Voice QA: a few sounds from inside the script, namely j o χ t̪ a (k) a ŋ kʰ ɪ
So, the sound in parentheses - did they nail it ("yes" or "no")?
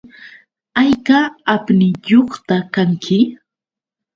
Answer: yes